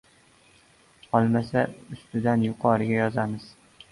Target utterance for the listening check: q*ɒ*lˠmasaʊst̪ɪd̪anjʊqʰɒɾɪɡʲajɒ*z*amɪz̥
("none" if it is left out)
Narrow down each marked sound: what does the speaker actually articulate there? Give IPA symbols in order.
ɒ, z

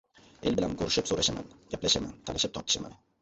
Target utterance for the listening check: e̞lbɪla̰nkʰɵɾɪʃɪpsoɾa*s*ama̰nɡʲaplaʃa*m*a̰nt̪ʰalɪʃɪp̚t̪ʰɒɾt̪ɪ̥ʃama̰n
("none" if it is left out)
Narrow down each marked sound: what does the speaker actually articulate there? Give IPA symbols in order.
ʃ, m

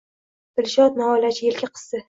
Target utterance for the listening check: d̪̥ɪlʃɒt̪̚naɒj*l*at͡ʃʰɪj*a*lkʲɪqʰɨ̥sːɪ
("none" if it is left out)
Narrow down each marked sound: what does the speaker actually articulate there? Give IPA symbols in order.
l, e

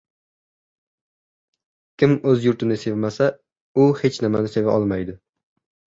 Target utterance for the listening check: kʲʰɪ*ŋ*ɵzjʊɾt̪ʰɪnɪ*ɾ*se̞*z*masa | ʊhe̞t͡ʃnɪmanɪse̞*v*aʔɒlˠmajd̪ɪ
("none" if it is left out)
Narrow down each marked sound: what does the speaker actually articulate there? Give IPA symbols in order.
m, none, v, v

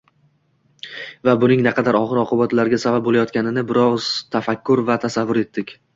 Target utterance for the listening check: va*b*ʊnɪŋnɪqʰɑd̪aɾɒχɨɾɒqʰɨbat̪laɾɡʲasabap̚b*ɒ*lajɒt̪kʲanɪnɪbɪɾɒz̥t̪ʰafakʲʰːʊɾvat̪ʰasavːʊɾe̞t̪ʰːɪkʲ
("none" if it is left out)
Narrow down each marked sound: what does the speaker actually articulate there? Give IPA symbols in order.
b, o

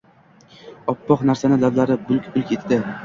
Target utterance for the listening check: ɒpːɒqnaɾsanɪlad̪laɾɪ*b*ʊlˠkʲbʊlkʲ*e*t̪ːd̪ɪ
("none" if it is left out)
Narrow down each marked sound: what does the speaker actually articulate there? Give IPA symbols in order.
b, e

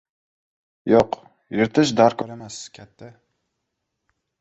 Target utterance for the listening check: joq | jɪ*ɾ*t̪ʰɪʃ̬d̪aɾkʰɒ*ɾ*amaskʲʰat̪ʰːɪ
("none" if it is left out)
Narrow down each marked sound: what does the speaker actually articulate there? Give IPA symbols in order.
ɾ, ɾ

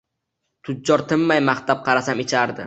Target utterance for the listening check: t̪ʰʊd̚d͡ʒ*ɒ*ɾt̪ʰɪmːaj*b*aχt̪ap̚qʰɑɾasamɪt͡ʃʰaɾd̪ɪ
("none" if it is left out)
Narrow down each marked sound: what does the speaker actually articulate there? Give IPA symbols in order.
ɒ, m

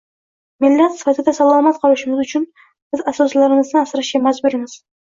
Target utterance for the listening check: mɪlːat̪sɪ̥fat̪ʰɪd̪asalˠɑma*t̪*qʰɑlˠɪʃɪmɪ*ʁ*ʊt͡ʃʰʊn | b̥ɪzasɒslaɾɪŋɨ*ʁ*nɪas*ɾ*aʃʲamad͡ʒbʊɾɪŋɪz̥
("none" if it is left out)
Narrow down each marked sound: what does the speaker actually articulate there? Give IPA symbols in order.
t̪, z, z, ɾ

